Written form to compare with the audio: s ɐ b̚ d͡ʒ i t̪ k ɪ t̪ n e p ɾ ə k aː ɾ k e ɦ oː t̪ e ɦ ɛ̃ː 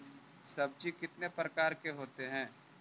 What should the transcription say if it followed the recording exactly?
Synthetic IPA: s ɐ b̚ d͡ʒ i k ɪ t̪ n e p ɾ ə k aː ɾ k e ɦ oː t̪ e ɦ ɛ̃ː